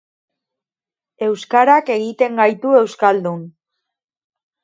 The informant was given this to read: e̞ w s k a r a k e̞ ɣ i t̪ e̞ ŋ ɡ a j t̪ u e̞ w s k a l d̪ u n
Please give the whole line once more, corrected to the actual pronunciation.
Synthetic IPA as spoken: e̞ w s k a ɾ a k e̞ ɣ i t̪ e̞ ŋ ɡ a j t̪ u e̞ w s k a l d̪ u n